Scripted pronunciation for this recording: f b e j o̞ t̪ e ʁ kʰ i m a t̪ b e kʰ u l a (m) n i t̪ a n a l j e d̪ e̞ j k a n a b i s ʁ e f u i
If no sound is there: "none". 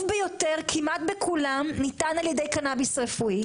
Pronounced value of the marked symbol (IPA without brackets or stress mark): m